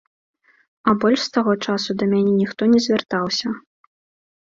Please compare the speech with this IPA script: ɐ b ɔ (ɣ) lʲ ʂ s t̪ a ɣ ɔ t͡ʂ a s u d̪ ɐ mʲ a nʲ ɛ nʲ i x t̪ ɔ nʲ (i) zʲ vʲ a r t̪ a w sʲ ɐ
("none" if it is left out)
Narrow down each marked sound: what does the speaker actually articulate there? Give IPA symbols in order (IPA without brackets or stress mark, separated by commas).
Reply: none, ɛ